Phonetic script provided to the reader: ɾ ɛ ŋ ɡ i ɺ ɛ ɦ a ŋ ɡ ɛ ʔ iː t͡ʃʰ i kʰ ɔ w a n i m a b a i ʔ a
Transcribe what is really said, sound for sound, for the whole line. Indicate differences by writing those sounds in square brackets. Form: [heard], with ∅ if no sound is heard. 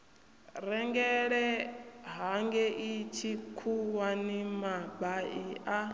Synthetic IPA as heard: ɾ ɛ ŋ ɡ [ɛ] ɺ ɛ ɦ a ŋ ɡ ɛ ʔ [i] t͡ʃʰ i kʰ [u] w a n i m a b a i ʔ a